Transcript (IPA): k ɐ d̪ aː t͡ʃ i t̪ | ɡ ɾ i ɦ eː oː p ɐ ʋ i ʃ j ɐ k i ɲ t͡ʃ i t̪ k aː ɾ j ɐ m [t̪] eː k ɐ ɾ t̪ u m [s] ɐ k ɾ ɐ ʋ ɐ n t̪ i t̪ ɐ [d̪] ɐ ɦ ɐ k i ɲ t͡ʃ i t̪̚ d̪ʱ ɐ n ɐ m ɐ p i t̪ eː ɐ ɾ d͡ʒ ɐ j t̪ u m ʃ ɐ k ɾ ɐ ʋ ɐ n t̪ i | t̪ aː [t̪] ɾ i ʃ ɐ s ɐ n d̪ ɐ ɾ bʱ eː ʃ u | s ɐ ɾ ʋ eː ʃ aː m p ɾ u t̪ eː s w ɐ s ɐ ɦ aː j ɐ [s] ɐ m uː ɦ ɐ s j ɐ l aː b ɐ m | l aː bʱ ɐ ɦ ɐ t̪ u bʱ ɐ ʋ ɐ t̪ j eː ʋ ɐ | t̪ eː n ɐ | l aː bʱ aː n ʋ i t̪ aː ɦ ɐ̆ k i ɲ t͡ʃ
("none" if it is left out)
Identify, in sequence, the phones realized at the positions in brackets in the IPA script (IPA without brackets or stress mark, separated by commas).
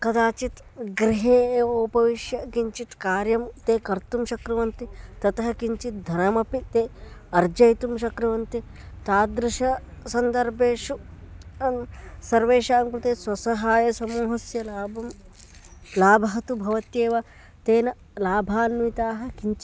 t̪, ʃ, t̪, d̪, s